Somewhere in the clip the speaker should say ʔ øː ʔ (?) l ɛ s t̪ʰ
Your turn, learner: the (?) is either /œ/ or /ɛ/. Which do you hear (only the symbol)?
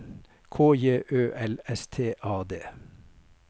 ɛ